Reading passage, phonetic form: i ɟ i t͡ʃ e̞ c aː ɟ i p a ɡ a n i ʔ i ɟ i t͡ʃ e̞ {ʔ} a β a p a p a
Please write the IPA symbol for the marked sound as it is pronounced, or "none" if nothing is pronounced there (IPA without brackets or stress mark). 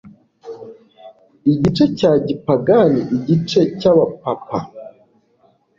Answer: c